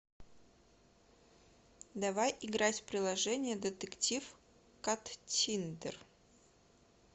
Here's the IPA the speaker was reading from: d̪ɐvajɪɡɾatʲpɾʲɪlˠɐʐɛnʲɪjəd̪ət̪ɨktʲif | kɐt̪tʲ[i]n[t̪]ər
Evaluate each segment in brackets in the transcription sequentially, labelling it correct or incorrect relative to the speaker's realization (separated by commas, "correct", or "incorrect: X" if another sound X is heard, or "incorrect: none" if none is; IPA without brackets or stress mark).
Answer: correct, incorrect: d̪